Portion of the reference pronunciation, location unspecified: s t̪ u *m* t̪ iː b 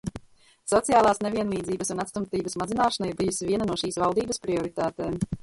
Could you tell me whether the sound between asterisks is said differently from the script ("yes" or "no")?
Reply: no